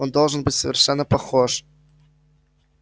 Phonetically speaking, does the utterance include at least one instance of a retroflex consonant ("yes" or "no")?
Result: yes